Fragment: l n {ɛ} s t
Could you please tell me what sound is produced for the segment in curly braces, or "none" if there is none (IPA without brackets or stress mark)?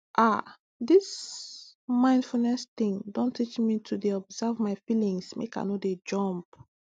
ɛ